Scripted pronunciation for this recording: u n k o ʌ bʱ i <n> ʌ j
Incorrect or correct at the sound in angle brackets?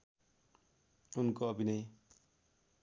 correct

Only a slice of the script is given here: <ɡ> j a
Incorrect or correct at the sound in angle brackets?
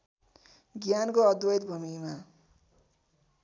correct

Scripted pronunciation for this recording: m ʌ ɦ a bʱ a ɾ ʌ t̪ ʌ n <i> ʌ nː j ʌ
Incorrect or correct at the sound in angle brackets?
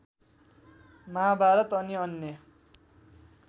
correct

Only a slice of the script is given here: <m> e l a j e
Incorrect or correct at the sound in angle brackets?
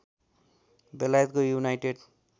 incorrect: b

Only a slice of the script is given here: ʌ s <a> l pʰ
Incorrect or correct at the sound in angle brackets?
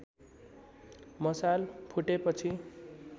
correct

